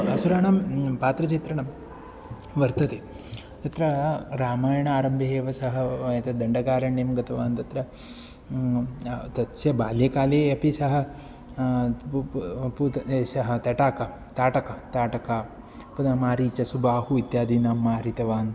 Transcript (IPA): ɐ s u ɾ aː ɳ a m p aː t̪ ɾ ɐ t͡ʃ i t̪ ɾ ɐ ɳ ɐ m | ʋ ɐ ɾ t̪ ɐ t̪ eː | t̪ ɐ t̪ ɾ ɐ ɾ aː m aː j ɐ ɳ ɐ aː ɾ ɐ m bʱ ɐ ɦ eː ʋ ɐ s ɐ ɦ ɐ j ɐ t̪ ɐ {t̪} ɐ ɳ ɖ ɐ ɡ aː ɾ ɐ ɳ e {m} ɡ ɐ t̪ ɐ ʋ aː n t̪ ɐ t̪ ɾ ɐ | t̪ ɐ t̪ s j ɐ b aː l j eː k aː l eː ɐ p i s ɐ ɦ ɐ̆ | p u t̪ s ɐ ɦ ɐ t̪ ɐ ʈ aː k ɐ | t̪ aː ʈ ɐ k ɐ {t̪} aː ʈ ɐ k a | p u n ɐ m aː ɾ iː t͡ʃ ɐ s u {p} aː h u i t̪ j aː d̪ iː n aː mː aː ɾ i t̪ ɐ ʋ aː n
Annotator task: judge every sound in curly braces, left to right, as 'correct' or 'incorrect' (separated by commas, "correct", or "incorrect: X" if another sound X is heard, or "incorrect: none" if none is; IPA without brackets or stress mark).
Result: incorrect: d̪, correct, correct, incorrect: b